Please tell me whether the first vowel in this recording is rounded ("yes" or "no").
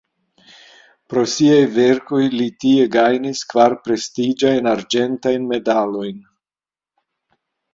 yes